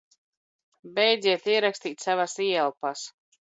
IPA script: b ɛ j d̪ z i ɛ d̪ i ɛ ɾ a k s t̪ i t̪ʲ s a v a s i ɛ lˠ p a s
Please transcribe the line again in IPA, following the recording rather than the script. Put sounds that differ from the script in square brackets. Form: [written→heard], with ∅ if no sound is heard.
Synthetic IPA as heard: b ɛ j d̪ z i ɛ [d̪→t̪] i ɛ ɾ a k s t̪ [i→iː] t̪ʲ s a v a s i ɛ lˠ p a s